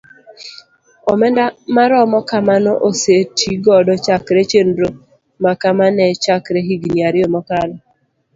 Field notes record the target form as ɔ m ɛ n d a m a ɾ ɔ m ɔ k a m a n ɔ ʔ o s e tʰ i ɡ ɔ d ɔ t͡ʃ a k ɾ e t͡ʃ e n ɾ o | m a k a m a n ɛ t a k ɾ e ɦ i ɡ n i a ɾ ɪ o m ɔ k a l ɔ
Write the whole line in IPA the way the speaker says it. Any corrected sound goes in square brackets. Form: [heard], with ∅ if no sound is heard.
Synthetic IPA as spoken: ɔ m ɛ n d a m a ɾ ɔ m ɔ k a m a n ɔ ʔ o s e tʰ i ɡ ɔ d ɔ t͡ʃ a k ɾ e t͡ʃ e n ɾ o | m a k a m a n ɛ [t͡ʃ] a k ɾ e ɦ i ɡ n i a ɾ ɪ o m ɔ k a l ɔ